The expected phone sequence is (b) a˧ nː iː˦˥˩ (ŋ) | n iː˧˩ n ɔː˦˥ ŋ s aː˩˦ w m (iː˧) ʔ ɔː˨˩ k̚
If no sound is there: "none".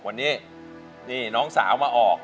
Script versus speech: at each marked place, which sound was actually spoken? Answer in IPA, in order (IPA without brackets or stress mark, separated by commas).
w, none, aː˧